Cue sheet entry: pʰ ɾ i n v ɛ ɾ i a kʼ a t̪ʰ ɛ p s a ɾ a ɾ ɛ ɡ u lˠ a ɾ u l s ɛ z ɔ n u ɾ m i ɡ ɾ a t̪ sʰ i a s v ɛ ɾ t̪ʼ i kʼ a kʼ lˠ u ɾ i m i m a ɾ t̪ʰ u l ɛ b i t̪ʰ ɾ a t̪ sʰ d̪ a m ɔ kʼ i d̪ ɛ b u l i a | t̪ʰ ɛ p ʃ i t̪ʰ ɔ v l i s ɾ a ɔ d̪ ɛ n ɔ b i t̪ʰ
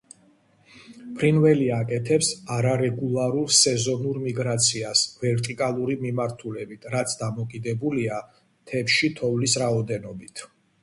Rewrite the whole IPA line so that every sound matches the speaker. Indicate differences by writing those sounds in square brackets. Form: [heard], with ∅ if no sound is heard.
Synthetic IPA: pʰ ɾ i n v ɛ [l] i a kʼ [ɛ] t̪ʰ ɛ p s a ɾ a ɾ ɛ ɡ u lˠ a ɾ u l s ɛ z ɔ n u ɾ m i ɡ ɾ a t̪ sʰ i a s v ɛ ɾ t̪ʼ i kʼ a [∅] lˠ u ɾ i m i m a ɾ t̪ʰ u l ɛ b i t̪ʰ ɾ a t̪ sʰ d̪ a m ɔ kʼ i d̪ ɛ b u l i a | t̪ʰ ɛ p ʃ i t̪ʰ ɔ v l i s ɾ a ɔ d̪ ɛ n ɔ b i t̪ʰ